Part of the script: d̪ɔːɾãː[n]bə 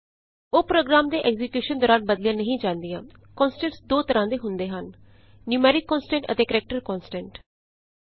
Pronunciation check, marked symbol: correct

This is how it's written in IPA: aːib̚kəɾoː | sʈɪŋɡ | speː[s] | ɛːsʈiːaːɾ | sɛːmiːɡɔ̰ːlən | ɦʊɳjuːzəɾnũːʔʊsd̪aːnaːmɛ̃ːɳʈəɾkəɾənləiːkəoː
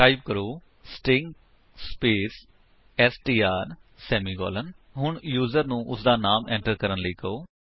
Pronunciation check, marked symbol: correct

